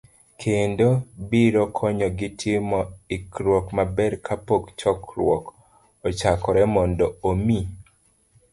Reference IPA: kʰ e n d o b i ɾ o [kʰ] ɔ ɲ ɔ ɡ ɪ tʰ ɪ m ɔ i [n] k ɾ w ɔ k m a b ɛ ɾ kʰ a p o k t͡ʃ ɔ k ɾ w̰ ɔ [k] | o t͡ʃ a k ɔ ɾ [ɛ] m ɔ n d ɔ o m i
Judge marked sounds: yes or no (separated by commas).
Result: yes, no, yes, yes